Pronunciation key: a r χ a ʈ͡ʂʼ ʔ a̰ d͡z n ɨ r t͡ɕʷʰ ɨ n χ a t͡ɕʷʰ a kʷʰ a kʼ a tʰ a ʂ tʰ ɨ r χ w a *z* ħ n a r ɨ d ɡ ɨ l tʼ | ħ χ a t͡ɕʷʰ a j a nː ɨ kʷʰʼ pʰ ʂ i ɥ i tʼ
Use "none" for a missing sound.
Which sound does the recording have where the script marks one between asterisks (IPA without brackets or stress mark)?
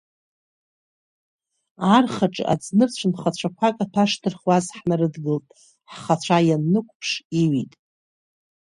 z